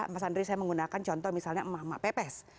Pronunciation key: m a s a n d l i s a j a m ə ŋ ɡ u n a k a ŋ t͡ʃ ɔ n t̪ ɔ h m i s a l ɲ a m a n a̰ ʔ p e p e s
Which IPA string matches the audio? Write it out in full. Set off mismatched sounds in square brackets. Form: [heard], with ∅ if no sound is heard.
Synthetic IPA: m a s a n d [ɾ] i s a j a m ə ŋ ɡ u n a k a [n] t͡ʃ ɔ n t̪ ɔ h m i s a l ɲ a m a [m] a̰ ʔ p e p [ɛ] s